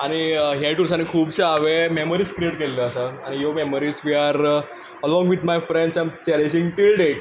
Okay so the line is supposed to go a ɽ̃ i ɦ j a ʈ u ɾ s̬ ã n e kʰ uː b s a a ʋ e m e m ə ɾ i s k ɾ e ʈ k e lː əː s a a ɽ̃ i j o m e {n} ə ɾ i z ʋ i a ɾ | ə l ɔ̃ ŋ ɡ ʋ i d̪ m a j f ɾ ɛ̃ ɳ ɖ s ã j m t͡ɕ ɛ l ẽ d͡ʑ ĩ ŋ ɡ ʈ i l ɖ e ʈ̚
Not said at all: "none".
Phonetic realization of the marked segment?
m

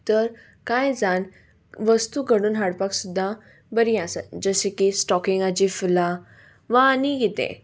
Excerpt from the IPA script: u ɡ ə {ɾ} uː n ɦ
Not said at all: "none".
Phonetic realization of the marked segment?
ɽ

